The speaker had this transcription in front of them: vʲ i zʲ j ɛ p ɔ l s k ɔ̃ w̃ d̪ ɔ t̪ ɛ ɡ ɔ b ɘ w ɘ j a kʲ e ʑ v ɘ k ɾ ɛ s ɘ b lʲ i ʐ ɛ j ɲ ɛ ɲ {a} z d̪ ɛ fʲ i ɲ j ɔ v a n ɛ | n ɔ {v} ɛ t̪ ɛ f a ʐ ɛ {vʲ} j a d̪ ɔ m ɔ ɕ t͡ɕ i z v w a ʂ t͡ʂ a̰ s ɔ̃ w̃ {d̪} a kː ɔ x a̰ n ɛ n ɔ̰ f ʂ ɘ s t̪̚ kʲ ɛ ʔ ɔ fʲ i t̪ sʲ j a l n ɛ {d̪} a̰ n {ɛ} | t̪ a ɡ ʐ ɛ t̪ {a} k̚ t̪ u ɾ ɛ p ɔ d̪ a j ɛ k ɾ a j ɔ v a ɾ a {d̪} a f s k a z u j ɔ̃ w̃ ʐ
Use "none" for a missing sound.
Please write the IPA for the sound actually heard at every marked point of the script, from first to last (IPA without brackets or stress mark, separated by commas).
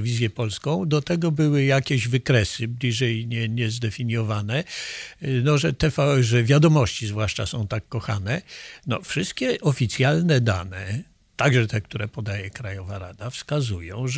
ɛ, ʐ, vʲ, t̪, d̪, ɛ, ɛ, d̪